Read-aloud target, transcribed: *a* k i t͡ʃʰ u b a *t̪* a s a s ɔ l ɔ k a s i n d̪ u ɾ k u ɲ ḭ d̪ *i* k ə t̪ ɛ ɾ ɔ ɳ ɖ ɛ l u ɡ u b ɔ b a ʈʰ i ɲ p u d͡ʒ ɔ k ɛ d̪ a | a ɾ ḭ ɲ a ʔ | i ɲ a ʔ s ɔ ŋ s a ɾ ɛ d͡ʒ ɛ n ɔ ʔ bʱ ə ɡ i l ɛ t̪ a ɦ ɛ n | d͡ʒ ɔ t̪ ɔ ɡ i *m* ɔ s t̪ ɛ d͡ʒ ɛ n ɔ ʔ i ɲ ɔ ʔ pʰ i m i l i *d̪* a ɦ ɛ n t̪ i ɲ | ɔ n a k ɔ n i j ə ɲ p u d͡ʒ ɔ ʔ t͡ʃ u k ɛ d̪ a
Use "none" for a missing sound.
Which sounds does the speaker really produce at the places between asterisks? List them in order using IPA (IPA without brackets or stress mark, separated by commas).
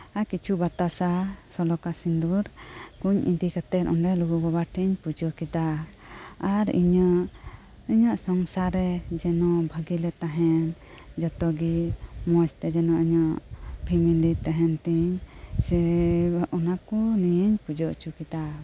a, t̪, i, m, t̪